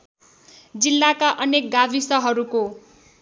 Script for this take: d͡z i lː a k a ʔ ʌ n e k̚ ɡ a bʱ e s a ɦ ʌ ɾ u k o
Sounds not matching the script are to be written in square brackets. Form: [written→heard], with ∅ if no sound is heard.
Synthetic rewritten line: d͡z i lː a k a ʔ ʌ n e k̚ ɡ a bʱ [e→i] s [a→ʌ] ɦ ʌ ɾ u k o